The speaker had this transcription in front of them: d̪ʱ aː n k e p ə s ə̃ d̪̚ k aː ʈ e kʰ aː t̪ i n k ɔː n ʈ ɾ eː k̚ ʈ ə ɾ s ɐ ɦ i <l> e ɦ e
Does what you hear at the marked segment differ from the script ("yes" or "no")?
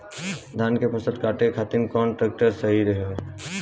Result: yes